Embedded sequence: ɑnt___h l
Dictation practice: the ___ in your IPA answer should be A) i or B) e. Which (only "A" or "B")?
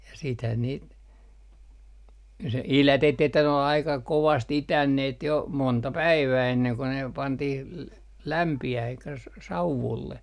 A